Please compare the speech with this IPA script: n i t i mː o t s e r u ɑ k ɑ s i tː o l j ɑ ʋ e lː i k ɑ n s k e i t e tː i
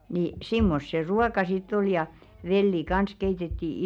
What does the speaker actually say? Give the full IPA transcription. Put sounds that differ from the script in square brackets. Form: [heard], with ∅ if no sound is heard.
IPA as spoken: n i [s] i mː o [s] s e r u ɑ k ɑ s i tː o l j ɑ ʋ e lː i k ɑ n s k e i t e tː i